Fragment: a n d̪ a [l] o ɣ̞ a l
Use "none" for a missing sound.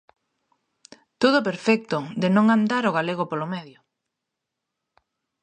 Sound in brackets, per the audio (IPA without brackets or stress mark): ɾ